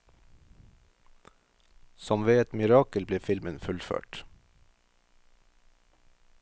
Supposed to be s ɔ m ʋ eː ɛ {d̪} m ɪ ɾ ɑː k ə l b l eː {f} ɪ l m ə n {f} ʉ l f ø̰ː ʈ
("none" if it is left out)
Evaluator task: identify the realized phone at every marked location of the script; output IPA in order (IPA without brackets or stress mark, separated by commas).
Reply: t̪, f, f